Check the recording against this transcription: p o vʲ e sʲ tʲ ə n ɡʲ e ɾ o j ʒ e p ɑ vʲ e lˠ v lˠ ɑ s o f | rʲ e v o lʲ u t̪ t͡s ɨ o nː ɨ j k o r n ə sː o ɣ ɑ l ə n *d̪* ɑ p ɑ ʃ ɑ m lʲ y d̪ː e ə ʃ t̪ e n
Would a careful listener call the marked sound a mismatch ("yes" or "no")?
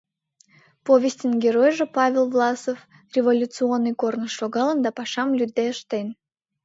no